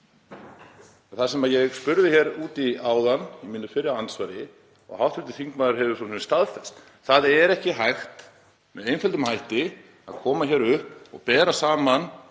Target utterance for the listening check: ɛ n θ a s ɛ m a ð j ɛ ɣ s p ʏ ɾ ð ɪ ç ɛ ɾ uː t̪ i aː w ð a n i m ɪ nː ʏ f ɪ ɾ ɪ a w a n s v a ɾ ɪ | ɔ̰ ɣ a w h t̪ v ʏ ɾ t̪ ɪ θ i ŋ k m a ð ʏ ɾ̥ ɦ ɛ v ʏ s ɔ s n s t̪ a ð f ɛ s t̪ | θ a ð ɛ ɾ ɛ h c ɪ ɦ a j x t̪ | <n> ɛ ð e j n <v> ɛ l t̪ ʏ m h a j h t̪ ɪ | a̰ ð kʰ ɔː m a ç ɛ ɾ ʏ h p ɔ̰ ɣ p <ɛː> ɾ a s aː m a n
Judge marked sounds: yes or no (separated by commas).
no, no, yes